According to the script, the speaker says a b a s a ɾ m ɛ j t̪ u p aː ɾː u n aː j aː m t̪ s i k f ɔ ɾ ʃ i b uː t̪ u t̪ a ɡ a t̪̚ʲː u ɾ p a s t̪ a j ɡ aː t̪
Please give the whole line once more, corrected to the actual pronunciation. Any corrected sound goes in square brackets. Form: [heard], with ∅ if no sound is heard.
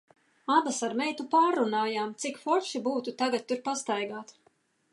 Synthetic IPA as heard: a b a s a ɾ m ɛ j t̪ u p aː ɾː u n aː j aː m t̪ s i k f ɔ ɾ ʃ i b uː t̪ u t̪ a ɡ a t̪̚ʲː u ɾ p a s t̪ a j ɡ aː t̪

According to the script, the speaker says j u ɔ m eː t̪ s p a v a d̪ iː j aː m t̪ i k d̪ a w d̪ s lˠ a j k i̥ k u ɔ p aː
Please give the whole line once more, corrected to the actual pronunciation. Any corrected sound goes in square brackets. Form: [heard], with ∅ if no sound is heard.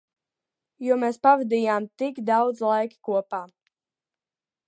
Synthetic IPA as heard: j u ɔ m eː [∅] s p a v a d̪ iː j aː m t̪ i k d̪ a w d̪ [z] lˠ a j k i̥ k u ɔ p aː

